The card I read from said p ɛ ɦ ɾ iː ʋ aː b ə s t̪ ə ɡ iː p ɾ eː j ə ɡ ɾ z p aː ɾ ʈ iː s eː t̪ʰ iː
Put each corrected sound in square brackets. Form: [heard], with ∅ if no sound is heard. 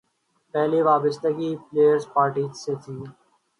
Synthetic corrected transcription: p ɛ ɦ [l] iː ʋ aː b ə s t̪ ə ɡ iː p [l] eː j ə [∅] ɾ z p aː ɾ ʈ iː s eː t̪ʰ iː